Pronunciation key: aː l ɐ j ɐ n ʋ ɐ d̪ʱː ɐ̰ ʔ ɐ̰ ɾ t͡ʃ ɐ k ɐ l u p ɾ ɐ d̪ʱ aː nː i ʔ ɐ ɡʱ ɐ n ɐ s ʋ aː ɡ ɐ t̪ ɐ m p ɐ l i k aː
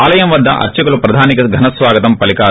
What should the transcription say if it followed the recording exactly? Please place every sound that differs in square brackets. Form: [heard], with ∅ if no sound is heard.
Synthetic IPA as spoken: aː l ɐ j ɐ [m] ʋ ɐ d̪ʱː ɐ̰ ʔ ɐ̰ ɾ t͡ʃ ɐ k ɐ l u p ɾ ɐ d̪ʱ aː [n] i [k] ɐ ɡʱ ɐ n ɐ s ʋ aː ɡ ɐ t̪ ɐ m p ɐ l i k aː